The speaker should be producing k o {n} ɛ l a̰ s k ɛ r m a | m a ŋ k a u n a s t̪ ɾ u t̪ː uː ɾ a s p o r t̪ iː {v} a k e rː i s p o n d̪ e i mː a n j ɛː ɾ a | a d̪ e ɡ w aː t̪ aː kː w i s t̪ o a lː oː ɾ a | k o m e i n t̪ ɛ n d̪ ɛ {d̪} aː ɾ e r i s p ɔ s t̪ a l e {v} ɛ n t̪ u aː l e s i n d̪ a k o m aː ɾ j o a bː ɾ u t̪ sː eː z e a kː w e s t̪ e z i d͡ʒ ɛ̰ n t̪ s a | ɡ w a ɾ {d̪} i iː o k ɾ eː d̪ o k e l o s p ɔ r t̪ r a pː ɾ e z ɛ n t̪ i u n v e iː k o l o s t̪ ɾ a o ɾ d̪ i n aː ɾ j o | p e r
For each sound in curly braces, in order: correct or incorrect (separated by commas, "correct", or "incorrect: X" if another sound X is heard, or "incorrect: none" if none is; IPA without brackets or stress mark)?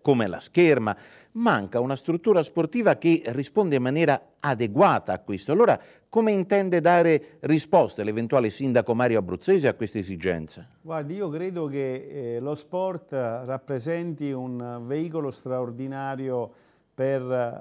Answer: incorrect: m, correct, correct, correct, correct